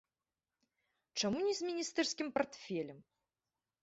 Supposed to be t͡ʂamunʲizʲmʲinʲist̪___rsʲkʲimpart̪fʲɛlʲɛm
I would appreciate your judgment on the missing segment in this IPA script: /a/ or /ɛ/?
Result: ɛ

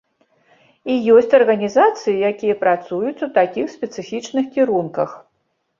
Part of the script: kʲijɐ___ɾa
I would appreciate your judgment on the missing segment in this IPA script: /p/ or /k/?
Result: p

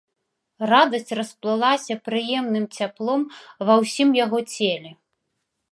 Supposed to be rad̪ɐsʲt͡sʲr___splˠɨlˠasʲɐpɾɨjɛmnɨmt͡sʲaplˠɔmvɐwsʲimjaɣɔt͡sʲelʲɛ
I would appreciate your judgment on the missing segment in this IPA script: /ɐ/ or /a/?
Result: ɐ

